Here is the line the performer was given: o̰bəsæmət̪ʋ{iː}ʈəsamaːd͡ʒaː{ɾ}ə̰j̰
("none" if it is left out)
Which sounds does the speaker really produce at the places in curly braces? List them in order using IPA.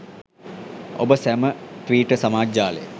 iː, l

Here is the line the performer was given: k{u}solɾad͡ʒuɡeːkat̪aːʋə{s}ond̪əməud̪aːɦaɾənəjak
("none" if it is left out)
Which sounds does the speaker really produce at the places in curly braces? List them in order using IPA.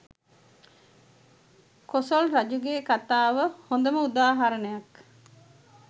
o, h

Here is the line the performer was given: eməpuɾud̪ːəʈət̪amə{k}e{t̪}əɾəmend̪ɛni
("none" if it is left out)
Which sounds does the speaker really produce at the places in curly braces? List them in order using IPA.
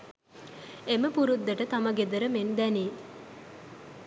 ɡ, d̪

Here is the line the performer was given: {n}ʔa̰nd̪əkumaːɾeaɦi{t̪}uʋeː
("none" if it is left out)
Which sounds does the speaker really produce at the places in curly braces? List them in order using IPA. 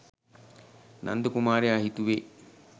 n, t̪

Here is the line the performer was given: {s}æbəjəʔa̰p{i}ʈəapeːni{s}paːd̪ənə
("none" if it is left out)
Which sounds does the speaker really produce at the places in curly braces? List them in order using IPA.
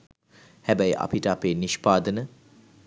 h, i, ʃ

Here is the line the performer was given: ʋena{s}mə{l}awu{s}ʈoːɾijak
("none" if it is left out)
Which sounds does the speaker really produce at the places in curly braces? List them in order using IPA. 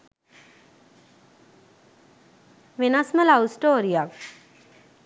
s, l, s

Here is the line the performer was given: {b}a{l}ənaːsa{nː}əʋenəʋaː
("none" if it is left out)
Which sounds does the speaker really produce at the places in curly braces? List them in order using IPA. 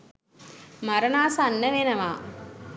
m, ɾ, nː

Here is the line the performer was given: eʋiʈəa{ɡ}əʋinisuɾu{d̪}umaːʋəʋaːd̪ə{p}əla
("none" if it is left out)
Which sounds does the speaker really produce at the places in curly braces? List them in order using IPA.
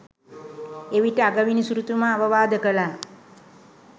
ɡ, t̪, k

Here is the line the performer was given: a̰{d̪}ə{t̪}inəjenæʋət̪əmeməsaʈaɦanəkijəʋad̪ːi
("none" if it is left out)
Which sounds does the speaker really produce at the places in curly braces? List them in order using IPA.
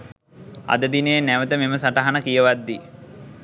d̪, d̪

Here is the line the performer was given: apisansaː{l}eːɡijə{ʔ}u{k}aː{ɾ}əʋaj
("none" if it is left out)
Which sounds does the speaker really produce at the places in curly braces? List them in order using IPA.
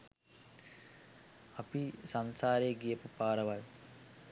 ɾ, p, p, ɾ

